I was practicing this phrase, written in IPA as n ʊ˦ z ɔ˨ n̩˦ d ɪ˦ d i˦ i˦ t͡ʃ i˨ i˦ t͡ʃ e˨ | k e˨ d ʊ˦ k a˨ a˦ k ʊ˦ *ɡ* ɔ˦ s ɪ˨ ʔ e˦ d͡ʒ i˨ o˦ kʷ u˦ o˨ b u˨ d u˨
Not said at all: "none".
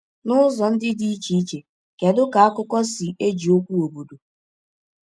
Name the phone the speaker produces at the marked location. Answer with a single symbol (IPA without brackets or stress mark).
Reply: k